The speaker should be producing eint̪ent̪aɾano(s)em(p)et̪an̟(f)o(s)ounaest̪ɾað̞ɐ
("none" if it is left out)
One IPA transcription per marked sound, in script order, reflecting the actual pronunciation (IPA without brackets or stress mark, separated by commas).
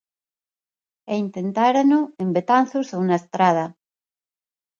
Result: none, b, θ, s